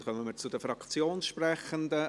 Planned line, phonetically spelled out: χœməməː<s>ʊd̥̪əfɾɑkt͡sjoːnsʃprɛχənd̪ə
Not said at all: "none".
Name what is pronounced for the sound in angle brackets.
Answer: t͡s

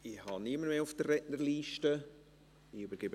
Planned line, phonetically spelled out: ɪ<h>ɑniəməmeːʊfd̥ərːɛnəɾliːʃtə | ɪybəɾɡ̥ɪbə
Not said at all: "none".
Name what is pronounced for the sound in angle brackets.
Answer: h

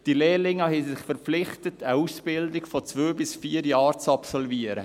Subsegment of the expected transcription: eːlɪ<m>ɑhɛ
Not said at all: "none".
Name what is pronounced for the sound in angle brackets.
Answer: ŋ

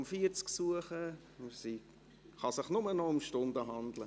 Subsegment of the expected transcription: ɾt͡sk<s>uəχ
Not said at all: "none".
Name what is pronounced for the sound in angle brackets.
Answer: s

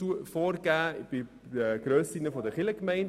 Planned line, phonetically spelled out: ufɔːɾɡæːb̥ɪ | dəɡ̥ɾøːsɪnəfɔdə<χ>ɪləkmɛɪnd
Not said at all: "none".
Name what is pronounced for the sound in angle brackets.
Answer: χ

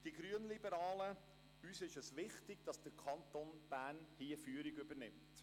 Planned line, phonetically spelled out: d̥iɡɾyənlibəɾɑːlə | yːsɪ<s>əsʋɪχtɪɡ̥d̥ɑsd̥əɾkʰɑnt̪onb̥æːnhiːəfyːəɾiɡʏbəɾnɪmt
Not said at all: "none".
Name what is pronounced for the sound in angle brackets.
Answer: ʃ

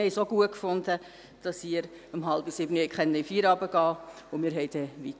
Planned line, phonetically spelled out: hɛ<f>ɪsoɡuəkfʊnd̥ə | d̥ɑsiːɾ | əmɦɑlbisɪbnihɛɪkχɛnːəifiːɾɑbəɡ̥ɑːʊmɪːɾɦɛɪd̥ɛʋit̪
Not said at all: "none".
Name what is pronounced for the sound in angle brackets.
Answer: none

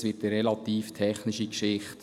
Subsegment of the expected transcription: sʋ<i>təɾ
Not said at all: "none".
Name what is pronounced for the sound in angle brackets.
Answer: ɪ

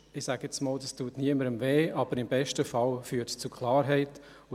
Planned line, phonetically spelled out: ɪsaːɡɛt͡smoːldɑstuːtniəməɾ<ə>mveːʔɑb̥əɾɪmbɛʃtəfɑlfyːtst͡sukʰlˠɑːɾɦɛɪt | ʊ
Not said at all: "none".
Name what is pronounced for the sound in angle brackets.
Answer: ə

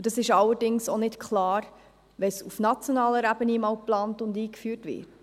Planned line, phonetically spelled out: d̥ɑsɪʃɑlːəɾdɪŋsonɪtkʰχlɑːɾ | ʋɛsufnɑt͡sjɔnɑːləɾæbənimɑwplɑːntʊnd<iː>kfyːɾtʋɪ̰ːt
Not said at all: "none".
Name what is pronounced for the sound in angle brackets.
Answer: iː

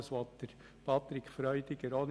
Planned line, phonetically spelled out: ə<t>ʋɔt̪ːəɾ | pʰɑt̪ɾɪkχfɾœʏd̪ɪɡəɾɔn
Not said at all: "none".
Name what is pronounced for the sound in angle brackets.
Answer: s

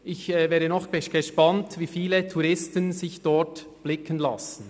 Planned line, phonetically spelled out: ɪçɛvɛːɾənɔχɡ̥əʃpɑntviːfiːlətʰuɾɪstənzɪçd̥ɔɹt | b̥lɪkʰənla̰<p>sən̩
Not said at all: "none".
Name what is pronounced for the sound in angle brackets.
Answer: none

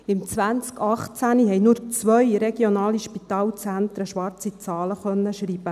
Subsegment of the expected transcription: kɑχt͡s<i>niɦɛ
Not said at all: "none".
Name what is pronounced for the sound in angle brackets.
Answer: æ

